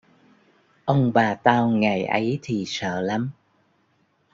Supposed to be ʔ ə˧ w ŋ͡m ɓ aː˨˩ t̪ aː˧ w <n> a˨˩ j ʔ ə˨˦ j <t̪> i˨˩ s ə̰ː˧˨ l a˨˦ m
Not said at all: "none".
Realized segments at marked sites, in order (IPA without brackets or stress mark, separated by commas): ŋ, t̪ʰ